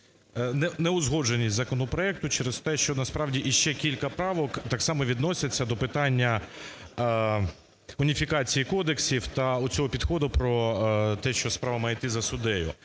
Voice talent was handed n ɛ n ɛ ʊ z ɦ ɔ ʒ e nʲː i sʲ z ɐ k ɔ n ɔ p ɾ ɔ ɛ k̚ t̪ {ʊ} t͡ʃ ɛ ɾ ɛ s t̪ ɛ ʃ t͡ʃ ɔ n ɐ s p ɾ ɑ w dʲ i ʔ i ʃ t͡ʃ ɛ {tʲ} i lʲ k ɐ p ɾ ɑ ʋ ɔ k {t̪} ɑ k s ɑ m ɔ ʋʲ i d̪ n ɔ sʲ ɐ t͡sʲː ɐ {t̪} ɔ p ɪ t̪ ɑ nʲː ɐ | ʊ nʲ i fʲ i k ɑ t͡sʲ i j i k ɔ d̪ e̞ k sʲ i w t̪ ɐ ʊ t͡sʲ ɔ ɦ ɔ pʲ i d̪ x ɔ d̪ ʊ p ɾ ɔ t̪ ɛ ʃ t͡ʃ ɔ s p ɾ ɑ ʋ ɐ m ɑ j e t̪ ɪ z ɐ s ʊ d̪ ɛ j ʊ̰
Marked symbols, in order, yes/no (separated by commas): yes, no, yes, no